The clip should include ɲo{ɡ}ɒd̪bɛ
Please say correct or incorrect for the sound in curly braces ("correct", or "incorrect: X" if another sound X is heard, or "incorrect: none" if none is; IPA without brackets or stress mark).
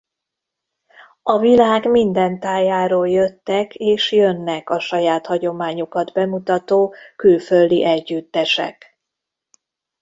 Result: incorrect: k